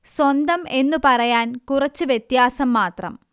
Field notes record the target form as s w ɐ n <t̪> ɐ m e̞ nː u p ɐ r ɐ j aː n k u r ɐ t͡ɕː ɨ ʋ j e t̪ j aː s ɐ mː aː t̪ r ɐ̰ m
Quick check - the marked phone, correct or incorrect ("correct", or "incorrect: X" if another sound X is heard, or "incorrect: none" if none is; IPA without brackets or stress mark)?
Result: incorrect: d̪